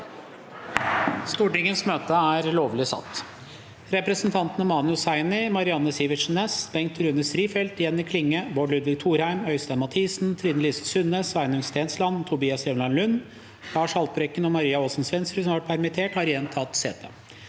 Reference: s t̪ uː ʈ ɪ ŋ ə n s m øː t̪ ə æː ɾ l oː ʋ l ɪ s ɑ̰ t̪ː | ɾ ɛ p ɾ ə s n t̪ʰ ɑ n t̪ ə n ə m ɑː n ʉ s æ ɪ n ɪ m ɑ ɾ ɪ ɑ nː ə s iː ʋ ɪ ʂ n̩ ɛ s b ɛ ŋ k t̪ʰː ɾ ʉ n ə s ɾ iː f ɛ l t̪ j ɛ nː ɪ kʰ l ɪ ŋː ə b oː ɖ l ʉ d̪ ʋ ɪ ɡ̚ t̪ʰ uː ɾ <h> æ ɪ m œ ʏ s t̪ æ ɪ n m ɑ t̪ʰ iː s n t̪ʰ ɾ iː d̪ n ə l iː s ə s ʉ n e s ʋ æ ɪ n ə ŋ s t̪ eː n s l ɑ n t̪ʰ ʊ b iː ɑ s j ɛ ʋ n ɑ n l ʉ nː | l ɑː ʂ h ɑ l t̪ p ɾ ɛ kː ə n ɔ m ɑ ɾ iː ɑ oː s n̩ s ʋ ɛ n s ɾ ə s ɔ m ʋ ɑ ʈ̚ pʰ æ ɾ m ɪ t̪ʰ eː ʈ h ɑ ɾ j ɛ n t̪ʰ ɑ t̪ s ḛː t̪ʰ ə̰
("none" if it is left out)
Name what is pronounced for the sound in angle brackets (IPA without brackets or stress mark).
h